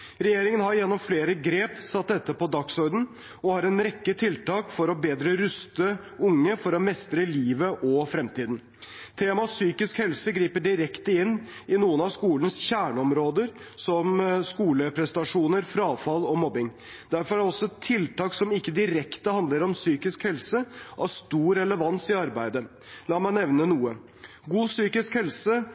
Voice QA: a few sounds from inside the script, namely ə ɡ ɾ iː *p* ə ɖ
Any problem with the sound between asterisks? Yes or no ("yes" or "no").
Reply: no